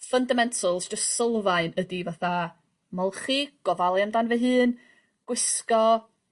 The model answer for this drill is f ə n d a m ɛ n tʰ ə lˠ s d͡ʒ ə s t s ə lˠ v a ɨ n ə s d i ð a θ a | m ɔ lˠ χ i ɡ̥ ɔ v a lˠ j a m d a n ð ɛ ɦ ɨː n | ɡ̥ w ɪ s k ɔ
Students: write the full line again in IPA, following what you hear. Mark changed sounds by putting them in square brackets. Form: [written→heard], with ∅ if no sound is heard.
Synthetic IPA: f ə n d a m ɛ n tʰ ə lˠ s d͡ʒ ə s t s ə lˠ v a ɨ n ə [s→∅] d i [ð→v] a θ a | m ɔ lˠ χ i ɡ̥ ɔ v a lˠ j a m d a n [ð→v] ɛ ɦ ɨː n | ɡ̥ w ɪ s k ɔ